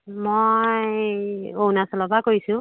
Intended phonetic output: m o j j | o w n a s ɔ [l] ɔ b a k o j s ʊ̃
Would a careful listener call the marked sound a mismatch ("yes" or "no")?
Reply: no